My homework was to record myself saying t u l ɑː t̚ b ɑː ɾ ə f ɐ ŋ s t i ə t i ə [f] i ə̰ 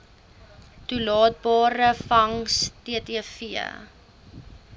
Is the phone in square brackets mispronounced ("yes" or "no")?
no